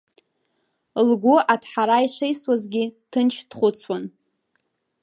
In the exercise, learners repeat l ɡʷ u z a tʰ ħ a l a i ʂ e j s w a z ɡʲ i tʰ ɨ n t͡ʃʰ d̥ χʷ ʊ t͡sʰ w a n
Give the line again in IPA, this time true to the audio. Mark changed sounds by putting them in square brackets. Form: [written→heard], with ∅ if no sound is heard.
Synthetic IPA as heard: l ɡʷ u [z→∅] a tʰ ħ a [l→ɾ] a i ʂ e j s w a z ɡʲ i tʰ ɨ n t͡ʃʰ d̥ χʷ ʊ t͡sʰ w a n